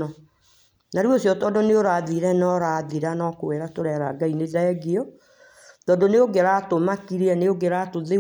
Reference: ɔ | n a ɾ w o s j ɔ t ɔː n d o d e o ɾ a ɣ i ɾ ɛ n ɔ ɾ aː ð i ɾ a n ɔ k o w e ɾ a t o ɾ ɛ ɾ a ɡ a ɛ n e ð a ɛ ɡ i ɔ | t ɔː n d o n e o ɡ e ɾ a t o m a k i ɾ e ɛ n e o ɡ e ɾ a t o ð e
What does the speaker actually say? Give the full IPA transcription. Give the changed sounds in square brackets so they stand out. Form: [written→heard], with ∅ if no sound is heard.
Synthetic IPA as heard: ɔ | n a ɾ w o s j ɔ t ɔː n d o [d→n] e o ɾ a [ɣ→ð] i ɾ ɛ n ɔ ɾ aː ð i ɾ a n ɔ k o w e ɾ a t o ɾ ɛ ɾ a ɡ a [ɛ→i] n e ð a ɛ ɡ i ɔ | t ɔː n d o n e o ɡ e ɾ a t o m a k i ɾ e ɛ n e o ɡ e ɾ a t o ð e